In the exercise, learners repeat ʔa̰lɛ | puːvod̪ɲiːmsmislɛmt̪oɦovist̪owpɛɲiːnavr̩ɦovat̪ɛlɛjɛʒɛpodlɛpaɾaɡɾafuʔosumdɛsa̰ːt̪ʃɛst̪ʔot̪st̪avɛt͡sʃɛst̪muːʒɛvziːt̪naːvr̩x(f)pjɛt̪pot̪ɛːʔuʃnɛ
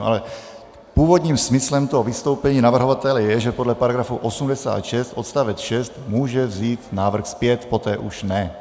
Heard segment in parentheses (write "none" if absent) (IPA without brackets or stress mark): s